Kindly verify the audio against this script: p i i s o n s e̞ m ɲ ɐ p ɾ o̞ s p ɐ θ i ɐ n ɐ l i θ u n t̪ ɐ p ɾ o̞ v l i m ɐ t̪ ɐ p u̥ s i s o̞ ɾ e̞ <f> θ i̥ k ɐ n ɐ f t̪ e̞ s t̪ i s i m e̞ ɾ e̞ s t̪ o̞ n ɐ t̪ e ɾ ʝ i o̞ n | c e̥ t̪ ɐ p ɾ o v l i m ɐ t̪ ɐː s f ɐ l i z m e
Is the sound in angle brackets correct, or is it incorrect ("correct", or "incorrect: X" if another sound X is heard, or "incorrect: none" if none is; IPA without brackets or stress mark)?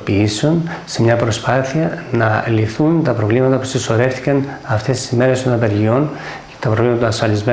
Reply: correct